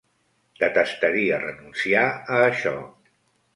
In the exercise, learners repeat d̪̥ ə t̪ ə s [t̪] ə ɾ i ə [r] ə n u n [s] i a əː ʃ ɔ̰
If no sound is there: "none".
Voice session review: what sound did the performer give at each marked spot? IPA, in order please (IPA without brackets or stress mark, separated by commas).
t̪, r, s